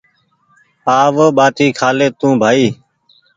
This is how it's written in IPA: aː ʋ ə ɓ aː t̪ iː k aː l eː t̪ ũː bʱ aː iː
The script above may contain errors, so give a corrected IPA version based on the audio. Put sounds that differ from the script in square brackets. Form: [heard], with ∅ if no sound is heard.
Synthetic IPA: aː ʋ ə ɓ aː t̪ iː [kʰ] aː l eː t̪ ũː bʱ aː iː